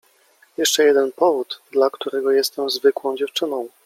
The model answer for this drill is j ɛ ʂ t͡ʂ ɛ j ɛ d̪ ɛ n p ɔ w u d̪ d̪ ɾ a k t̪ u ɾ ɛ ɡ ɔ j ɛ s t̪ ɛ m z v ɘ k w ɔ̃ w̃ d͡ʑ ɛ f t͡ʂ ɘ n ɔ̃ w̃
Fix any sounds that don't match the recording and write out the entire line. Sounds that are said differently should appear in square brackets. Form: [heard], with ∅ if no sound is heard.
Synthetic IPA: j ɛ ʂ t͡ʂ ɛ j ɛ d̪ ɛ n p ɔ [v] u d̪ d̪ [l] a k t̪ u ɾ ɛ ɡ ɔ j ɛ s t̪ ɛ m z v ɘ k w ɔ̃ w̃ d͡ʑ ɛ f t͡ʂ ɘ n ɔ̃ w̃